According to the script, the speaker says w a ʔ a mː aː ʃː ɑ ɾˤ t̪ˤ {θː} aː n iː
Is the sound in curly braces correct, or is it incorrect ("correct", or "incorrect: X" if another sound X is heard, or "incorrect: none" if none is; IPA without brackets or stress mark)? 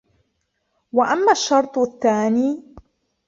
correct